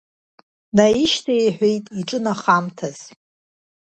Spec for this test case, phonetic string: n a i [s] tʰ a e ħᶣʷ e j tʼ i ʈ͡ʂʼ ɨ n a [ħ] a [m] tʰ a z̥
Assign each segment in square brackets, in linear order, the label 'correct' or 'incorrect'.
incorrect: ʃ, incorrect: χ, correct

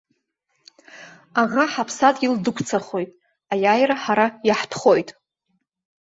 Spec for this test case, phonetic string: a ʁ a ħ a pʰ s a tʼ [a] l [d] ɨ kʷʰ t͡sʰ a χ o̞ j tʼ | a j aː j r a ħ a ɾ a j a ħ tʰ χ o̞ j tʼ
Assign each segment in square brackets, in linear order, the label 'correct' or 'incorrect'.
incorrect: i, correct

